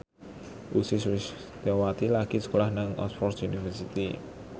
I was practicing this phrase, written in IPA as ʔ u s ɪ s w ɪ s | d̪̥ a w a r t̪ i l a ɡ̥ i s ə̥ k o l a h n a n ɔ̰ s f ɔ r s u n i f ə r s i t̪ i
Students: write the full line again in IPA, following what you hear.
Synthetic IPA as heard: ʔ u s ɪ s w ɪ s | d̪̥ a w a t̪ i l a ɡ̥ i s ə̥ k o l a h n a ŋ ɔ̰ s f ɔ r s u n i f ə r s i t̪ i